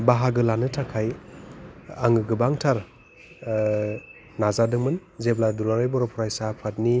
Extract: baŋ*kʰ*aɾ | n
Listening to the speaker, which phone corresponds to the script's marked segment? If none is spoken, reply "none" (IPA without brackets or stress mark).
tʰ